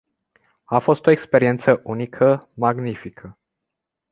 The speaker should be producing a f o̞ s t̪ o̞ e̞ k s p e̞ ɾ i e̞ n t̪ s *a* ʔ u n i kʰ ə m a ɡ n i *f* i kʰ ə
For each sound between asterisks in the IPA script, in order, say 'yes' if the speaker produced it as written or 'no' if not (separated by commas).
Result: no, yes